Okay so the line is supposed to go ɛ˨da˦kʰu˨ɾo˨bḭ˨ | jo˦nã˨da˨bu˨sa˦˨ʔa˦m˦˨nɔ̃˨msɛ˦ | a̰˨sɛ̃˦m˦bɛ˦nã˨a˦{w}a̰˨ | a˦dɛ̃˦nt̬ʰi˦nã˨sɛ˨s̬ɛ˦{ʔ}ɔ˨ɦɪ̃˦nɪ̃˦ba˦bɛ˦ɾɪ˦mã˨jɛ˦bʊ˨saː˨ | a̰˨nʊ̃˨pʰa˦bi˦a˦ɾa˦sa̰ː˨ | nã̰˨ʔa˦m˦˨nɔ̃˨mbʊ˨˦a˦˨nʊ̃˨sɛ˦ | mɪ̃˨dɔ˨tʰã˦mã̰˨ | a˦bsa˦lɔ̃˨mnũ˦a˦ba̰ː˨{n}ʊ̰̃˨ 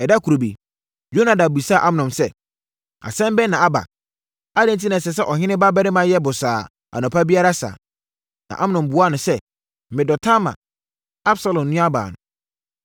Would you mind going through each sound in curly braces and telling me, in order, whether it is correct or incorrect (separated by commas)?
incorrect, correct, correct